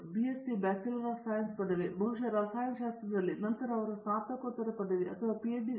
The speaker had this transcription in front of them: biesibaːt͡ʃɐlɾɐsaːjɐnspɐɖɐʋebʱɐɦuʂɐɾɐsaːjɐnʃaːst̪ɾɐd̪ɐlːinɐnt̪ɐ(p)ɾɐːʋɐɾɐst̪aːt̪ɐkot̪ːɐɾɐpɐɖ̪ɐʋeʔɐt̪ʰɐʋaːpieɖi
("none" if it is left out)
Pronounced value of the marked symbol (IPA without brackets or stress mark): none